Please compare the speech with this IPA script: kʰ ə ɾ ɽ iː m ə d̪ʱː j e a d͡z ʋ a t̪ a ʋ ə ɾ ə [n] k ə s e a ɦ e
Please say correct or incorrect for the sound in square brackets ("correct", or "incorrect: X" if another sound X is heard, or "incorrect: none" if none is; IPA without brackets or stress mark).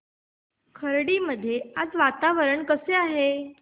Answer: incorrect: ɳ